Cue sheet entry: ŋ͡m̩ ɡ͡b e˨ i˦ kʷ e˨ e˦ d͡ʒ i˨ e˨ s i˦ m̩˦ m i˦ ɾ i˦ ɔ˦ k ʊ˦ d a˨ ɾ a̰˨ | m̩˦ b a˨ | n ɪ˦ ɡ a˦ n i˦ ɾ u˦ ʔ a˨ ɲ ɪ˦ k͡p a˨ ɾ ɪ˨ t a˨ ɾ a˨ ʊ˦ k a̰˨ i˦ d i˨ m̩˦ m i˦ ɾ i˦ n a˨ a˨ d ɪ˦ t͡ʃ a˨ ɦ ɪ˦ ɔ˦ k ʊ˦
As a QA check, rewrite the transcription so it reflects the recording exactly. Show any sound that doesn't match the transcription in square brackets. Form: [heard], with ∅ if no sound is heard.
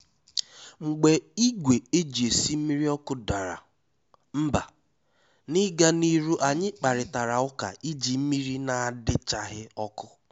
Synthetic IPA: ŋ͡m̩ ɡ͡b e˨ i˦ [ɡʷ] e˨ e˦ d͡ʒ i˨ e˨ s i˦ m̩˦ m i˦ ɾ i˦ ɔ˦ k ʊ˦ d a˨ ɾ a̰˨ | m̩˦ b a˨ | n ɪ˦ ɡ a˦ n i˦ ɾ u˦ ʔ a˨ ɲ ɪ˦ k͡p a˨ ɾ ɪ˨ t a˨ ɾ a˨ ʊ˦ k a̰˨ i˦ [d͡ʒ] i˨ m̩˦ m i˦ ɾ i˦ n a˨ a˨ d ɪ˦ t͡ʃ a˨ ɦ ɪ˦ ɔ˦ k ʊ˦